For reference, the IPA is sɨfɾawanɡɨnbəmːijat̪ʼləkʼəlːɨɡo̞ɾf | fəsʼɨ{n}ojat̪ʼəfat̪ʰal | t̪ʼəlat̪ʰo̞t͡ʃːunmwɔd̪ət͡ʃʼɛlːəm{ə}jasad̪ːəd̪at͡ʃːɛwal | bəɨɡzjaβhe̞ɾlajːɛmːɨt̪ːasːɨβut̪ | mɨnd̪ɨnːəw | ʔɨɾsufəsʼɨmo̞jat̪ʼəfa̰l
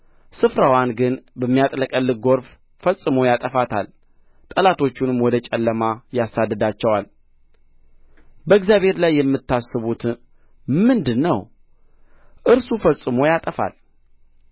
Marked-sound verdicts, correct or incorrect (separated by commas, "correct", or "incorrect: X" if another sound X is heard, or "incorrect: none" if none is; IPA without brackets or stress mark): incorrect: m, incorrect: a